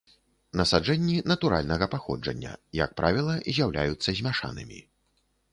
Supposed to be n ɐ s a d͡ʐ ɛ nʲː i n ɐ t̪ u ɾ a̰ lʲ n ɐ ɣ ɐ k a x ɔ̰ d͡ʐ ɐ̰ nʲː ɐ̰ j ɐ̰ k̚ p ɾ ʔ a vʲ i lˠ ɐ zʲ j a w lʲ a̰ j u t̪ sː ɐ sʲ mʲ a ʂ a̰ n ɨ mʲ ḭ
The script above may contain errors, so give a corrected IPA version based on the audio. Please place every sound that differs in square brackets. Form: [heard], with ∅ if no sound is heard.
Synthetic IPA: n ɐ s a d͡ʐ ɛ nʲː i n ɐ t̪ u ɾ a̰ lʲ n ɐ ɣ ɐ [p] a x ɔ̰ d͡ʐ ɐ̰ nʲː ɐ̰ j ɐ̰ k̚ p ɾ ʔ a vʲ i lˠ ɐ zʲ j a w lʲ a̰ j u t̪ sː ɐ [zʲ] mʲ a ʂ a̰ n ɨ mʲ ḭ